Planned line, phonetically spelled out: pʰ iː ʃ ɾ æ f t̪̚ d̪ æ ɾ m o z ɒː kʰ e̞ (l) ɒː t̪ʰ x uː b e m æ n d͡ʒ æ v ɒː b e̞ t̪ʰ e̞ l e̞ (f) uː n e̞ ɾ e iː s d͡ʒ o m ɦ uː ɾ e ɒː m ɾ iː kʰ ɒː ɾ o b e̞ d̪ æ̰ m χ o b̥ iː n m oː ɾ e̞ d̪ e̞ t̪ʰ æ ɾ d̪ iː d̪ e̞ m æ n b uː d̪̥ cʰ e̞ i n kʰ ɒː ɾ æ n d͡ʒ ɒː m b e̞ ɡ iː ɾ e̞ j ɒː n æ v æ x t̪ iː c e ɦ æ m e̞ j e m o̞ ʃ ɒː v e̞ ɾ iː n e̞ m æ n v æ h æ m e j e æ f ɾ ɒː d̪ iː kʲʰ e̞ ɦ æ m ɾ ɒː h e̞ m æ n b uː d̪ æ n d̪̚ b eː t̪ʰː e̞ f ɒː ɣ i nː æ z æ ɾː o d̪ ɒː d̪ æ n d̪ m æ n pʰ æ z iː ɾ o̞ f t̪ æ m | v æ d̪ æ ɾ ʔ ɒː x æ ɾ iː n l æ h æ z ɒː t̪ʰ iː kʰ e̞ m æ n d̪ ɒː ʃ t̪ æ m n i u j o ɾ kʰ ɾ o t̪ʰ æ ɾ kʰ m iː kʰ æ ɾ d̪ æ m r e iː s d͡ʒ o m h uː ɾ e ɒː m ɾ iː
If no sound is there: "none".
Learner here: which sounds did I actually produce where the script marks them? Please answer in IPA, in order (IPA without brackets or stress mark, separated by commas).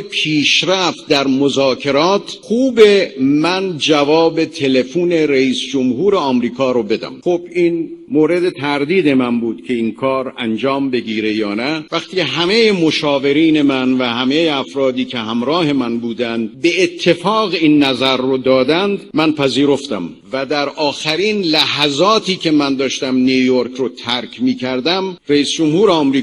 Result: ɾ, f